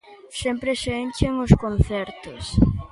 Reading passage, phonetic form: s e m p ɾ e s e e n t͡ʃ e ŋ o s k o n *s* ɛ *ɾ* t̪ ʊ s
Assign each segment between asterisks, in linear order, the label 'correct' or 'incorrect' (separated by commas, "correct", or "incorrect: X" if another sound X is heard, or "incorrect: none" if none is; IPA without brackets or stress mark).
incorrect: θ, correct